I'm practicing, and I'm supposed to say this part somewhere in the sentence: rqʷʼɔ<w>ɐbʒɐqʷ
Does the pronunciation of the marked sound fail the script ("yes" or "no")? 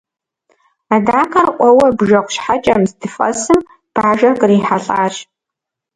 no